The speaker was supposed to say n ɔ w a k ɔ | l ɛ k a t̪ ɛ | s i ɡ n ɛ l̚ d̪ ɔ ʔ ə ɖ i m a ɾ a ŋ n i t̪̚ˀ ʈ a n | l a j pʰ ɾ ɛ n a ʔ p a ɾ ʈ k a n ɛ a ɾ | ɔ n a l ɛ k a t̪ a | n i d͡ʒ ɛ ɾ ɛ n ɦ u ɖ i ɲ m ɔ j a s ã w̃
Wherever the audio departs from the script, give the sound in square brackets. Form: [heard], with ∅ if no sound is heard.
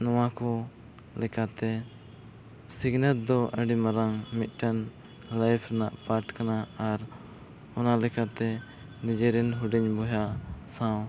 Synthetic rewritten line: n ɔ w a k ɔ | l ɛ k a t̪ ɛ | s i ɡ n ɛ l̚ d̪ ɔ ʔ ə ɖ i m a ɾ a ŋ [m] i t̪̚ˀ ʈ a n | l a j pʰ ɾ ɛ n a ʔ p a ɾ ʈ k a n [a] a ɾ | ɔ n a l ɛ k a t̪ [ɛ] | n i d͡ʒ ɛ ɾ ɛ n ɦ u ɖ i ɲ [b] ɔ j a s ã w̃